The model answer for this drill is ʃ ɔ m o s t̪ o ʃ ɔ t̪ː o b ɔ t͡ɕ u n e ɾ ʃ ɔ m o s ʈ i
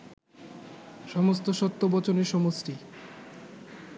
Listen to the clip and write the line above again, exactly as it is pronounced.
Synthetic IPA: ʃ ɔ m o s t̪ o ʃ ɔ t̪ː o b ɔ t͡ɕ o n e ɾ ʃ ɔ m o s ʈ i